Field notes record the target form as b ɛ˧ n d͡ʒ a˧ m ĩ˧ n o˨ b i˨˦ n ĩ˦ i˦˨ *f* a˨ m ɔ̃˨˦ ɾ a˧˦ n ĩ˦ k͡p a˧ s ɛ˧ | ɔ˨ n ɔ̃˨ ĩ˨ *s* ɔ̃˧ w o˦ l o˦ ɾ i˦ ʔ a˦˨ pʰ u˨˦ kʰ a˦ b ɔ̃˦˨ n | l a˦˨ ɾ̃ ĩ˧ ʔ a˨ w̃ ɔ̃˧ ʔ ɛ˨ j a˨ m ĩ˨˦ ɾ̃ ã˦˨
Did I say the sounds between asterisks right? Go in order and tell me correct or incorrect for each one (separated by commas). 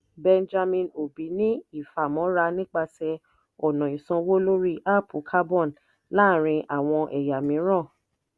correct, correct